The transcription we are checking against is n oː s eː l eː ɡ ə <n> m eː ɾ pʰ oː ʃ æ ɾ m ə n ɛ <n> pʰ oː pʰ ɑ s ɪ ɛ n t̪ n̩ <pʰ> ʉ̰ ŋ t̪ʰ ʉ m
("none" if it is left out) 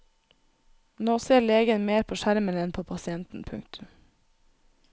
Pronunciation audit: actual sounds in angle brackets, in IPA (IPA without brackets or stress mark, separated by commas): n, n, pʰ